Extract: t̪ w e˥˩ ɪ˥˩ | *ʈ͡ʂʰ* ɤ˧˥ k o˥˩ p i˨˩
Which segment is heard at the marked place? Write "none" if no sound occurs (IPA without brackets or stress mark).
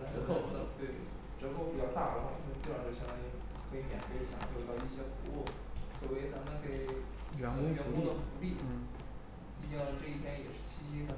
ʈ͡ʂ